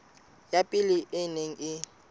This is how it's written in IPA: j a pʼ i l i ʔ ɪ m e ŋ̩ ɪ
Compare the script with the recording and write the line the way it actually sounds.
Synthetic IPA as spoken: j a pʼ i l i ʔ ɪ n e ŋ̩ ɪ